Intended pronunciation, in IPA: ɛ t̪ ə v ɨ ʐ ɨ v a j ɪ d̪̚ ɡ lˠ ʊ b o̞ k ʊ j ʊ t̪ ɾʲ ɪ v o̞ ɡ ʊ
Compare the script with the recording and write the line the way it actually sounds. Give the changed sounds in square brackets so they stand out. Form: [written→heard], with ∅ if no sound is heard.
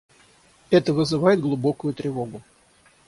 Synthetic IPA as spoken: ɛ t̪ ə v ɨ [ʐ→z] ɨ v a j ɪ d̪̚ ɡ lˠ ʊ b o̞ k ʊ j ʊ t̪ ɾʲ ɪ v o̞ ɡ ʊ